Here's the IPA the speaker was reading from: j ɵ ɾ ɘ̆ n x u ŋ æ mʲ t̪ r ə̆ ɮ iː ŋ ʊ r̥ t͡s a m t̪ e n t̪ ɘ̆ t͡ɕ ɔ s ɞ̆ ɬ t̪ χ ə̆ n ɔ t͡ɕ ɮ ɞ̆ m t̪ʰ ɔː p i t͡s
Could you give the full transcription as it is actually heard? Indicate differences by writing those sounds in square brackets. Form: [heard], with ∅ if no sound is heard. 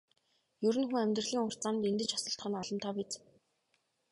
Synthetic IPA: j ɵ ɾ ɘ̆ n x u ŋ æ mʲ t̪ r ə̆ ɮ iː ŋ ʊ r̥ t͡s a m t̪ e n t̪ ɘ̆ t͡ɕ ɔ s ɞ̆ ɬ t̪ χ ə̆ n ɔ [∅] ɮ ɞ̆ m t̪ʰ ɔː p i t͡s